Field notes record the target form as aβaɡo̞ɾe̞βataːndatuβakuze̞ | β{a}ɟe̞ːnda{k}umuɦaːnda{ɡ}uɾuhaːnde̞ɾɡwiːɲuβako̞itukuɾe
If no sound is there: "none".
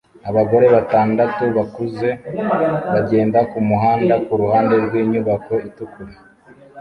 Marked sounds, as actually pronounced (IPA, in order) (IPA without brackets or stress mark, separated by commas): a, k, k